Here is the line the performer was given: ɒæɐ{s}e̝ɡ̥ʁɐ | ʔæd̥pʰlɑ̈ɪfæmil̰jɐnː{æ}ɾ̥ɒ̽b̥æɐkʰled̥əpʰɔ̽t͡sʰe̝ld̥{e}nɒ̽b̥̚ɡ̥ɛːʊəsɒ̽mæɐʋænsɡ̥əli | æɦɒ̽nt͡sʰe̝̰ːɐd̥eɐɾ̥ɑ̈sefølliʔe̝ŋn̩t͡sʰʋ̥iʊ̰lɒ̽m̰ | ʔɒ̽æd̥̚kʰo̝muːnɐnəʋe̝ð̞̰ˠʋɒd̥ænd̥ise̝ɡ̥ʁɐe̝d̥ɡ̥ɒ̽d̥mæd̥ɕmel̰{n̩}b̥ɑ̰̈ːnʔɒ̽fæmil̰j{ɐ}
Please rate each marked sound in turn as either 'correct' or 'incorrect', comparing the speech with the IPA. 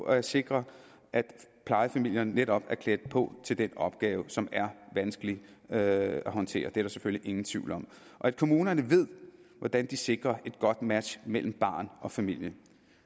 correct, incorrect: e, correct, incorrect: m̩, incorrect: ə

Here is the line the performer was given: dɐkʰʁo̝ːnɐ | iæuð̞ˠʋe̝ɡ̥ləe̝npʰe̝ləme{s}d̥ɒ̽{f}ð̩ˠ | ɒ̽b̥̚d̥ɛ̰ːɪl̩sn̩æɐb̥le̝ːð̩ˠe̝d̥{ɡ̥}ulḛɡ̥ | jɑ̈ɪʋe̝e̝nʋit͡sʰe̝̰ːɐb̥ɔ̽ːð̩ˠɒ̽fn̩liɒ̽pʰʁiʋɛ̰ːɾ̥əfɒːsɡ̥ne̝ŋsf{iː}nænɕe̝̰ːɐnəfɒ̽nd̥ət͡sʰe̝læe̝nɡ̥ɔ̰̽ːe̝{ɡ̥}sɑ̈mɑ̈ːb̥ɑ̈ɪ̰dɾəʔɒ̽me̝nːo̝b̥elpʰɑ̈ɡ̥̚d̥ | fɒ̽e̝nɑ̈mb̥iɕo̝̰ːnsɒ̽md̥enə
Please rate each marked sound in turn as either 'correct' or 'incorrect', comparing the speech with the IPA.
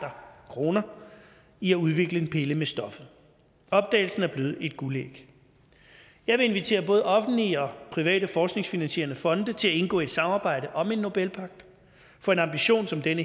correct, correct, correct, incorrect: i, incorrect: d̥

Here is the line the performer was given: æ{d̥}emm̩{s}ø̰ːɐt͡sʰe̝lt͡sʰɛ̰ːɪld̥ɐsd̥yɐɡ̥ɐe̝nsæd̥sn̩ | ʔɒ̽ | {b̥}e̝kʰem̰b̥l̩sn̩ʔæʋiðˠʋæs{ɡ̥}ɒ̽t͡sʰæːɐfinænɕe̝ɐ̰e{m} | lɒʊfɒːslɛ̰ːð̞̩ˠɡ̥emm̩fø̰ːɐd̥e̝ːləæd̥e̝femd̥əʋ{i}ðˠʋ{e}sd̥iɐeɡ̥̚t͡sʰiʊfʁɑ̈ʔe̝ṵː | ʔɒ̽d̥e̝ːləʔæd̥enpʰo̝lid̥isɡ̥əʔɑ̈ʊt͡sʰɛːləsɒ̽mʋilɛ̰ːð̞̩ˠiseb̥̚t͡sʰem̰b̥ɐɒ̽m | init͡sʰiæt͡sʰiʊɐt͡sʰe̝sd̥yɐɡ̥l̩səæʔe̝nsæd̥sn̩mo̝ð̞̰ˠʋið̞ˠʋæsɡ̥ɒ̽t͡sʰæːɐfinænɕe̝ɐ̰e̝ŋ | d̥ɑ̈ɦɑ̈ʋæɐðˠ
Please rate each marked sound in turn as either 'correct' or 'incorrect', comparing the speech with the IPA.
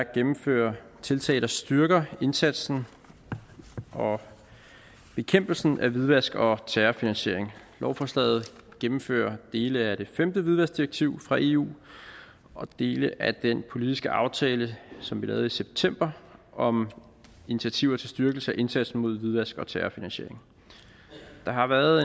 incorrect: ɡ̥, incorrect: f, correct, correct, incorrect: ŋ, correct, incorrect: æ

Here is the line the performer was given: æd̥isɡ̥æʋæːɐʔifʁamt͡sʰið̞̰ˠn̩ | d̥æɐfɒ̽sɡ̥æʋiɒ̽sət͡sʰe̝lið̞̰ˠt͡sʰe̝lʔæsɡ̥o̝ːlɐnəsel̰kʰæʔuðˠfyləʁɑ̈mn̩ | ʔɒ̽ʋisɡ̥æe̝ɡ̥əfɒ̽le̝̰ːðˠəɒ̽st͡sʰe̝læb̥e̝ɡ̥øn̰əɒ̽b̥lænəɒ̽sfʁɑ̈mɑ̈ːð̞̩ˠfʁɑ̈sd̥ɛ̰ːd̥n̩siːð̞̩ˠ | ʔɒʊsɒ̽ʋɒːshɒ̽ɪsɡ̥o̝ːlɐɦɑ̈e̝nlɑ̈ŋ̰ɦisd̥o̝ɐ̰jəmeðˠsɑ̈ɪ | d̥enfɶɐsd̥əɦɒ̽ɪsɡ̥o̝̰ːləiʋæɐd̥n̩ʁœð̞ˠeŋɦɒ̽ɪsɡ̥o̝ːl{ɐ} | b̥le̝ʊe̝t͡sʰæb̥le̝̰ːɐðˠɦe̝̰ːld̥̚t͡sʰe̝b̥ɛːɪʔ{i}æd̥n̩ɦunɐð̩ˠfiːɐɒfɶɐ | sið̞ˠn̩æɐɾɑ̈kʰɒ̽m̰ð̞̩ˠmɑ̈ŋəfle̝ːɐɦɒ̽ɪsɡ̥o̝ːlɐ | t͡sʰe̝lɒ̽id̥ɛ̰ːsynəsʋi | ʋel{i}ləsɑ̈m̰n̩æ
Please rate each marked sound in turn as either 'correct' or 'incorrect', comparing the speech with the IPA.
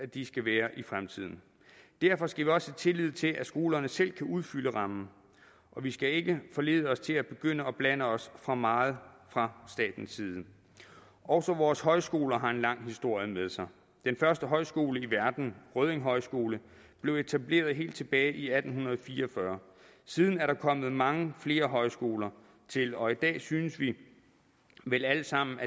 incorrect: ə, correct, incorrect: æ

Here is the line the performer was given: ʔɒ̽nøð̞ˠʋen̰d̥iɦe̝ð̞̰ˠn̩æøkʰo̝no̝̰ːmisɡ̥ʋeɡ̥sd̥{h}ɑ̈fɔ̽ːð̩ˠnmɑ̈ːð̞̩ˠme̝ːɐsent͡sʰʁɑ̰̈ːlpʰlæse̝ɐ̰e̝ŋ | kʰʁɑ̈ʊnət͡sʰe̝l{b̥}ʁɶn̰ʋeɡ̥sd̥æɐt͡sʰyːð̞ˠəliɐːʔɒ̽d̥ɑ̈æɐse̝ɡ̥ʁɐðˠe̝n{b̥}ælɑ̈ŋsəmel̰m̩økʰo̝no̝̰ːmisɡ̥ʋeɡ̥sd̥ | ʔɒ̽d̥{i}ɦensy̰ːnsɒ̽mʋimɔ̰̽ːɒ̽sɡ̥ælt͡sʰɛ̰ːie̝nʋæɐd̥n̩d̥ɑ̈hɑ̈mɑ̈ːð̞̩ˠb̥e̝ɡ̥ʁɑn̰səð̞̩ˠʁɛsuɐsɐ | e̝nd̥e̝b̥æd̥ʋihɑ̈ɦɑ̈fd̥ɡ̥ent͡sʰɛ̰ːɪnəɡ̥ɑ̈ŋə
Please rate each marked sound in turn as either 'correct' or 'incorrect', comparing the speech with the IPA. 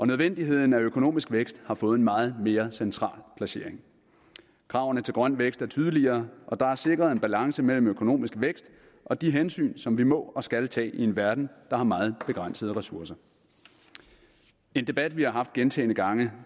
correct, incorrect: ɡ̥, correct, correct

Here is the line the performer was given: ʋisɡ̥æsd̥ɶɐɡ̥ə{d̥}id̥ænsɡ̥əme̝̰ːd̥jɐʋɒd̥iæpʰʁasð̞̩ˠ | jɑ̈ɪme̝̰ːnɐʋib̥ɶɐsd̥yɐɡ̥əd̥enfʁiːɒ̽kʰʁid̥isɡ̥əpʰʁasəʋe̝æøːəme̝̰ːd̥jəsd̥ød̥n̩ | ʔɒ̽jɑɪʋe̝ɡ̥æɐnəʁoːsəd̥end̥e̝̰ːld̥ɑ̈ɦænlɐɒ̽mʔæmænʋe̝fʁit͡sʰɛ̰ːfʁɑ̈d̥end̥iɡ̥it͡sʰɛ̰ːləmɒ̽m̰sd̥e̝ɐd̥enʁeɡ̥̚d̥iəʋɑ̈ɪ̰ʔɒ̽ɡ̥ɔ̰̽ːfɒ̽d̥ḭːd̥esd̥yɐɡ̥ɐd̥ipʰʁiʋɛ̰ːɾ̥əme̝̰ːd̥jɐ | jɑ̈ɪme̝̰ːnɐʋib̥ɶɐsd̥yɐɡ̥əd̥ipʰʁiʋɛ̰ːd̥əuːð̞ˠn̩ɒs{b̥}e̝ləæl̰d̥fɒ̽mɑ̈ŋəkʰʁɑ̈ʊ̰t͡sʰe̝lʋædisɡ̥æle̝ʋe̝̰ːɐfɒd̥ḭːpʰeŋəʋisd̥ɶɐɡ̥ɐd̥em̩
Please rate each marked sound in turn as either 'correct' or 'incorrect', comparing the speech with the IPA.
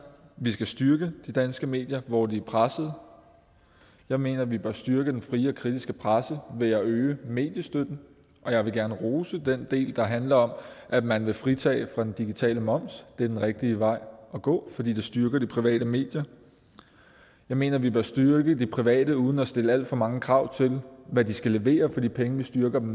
correct, incorrect: d̥

